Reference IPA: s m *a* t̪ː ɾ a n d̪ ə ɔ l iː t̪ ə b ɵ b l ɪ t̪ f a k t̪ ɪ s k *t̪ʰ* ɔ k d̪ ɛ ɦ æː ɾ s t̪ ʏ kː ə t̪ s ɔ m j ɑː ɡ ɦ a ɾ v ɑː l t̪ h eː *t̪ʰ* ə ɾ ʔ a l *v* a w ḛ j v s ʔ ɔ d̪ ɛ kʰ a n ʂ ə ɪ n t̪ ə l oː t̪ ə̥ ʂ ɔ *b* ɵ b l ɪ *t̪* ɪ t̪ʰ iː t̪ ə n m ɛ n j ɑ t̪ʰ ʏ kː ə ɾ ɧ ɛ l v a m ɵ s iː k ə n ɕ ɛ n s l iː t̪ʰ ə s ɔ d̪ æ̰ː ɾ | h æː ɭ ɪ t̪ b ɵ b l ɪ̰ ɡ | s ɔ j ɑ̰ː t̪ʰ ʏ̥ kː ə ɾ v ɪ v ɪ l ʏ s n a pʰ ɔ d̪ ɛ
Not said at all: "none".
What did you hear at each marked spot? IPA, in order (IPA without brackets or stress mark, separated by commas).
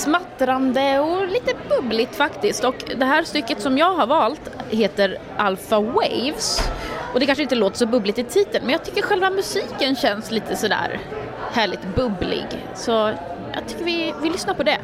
a, t̪, t̪, f, b, t̪